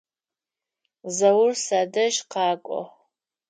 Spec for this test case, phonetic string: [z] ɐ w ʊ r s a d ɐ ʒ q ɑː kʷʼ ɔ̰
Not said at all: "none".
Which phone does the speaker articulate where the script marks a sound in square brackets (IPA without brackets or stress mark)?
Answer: z